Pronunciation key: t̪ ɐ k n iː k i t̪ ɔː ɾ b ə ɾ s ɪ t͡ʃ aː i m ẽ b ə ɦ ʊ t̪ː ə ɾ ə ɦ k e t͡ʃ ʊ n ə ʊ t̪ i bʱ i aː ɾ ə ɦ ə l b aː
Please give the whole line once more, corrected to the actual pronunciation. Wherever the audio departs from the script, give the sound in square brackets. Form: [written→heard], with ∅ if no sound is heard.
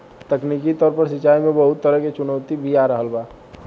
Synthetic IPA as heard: t̪ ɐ k n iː k i t̪ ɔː ɾ [b→p] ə ɾ s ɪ t͡ʃ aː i m ẽ b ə ɦ ʊ t̪ː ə ɾ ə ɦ k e t͡ʃ ʊ n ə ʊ t̪ i bʱ i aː ɾ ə ɦ ə l b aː